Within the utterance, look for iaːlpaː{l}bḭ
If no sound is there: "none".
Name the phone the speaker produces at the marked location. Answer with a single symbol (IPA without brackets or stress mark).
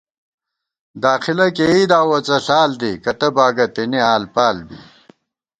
l